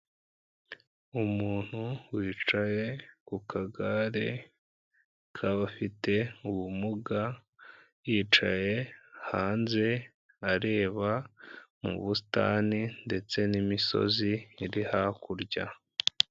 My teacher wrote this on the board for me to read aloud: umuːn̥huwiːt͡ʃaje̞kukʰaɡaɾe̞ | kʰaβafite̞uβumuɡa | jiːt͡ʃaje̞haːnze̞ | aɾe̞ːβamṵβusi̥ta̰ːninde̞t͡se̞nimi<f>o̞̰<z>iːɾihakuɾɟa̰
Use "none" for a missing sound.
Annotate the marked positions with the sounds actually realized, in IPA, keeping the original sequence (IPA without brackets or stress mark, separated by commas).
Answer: s, z